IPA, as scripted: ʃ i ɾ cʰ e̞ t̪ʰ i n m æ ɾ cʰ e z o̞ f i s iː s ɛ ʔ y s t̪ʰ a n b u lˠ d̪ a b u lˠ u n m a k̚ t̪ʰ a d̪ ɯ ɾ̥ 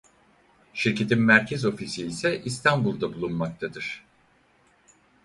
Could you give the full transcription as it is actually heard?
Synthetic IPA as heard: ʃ i ɾ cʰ e̞ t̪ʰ i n m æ ɾ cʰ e z o̞ f i s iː s ɛ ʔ i s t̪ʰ a n b u lˠ d̪ a b u lˠ u n m a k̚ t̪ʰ a d̪ ɯ ɾ̥

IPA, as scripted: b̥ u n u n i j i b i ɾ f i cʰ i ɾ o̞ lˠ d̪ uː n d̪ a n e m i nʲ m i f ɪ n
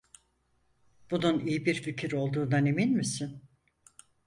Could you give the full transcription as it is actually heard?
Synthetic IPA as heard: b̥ u n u n i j i b i ɾ f i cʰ i ɾ o̞ lˠ d̪ uː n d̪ a n e m i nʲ m i s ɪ n

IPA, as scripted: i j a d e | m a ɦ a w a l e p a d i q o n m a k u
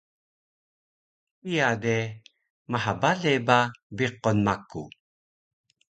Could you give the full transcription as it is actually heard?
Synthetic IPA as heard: i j a d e | m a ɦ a b a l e b a b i q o n m a k u

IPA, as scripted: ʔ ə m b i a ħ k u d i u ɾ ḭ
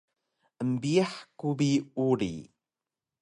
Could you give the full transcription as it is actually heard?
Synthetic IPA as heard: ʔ ə m b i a ħ k u b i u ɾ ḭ

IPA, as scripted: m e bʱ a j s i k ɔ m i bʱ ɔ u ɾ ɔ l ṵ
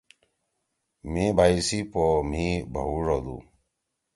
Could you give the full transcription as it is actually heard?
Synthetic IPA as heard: m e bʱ a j s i p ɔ m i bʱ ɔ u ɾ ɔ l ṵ

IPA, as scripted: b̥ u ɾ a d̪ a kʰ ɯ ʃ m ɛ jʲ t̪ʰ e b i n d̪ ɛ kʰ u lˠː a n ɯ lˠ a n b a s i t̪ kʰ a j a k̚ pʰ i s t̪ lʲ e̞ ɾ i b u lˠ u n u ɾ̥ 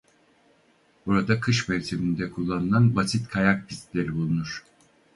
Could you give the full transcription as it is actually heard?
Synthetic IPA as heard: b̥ u ɾ a d̪ a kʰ ɯ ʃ m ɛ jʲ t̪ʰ e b i n d̪ ɛ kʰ u lˠː a n ɯ lˠ a n b a s i t̪ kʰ a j a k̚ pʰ i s t̪ lʲ e̞ ɾ i b u lˠ u n u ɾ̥

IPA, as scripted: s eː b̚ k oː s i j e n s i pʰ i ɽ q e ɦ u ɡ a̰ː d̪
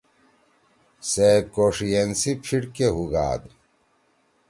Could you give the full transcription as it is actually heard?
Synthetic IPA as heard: s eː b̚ k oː ʂ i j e n s i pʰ i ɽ k e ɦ u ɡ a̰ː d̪

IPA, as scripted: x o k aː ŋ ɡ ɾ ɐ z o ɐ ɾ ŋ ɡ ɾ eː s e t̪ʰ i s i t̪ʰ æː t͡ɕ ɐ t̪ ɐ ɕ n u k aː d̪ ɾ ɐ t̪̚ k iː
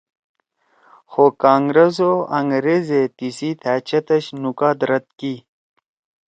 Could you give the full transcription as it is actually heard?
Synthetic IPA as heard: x o k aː ŋ ɡ ɾ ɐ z o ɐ ŋ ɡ ɾ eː z e t̪ i s i t̪ʰ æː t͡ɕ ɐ t̪ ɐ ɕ n u k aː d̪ ɾ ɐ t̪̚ k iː

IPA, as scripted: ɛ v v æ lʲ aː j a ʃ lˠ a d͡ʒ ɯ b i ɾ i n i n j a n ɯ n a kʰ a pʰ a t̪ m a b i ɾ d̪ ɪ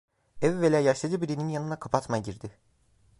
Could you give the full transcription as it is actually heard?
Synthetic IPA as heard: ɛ v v e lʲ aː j a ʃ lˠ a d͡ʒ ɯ b i ɾ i n i n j a n ɯ n a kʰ a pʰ a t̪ m a ɟ i ɾ d̪ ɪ

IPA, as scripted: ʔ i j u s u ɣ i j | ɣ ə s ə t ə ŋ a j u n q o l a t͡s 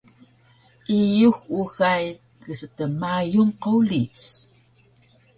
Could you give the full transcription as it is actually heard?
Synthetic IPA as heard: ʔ i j u x u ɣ a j | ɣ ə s ə t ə m a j u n q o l i t͡s

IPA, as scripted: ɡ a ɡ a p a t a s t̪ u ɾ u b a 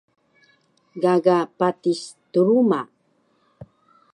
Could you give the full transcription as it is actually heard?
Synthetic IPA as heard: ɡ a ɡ a p a t i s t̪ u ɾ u m a

